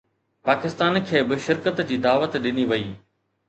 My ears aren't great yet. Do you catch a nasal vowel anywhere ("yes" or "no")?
no